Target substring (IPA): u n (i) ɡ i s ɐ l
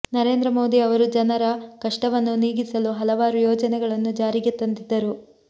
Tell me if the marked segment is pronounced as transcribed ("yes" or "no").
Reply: no